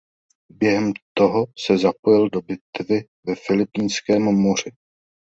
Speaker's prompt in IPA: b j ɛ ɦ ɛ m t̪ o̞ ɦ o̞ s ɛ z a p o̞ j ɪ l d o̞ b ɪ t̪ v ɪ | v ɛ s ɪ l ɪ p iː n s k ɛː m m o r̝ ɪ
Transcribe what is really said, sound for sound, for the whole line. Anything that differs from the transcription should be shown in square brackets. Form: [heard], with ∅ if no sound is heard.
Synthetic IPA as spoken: b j ɛ ɦ ɛ m t̪ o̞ ɦ o̞ s ɛ z a p o̞ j ɪ l d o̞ b ɪ t̪ v ɪ | v ɛ [f] ɪ l ɪ p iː n s k ɛː m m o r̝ ɪ